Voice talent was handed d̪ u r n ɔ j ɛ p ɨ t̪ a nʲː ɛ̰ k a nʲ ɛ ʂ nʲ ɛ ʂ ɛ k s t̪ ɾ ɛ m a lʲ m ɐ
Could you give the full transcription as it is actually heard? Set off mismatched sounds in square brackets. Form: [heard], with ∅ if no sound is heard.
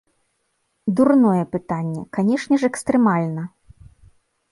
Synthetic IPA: d̪ u r n ɔ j ɛ p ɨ t̪ a nʲː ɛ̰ k a nʲ ɛ ʂ nʲ ɛ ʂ ɛ k s t̪ ɾ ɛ m a lʲ [n] ɐ